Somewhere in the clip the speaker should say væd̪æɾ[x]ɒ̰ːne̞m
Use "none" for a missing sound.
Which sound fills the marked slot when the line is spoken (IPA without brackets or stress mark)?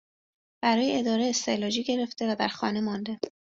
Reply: x